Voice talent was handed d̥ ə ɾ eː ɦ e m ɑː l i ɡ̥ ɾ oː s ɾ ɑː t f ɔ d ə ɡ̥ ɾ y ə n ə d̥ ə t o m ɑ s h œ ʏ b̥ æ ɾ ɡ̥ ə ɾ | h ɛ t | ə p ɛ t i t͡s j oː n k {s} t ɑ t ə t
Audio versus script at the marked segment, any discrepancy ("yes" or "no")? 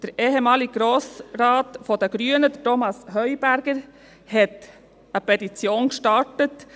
yes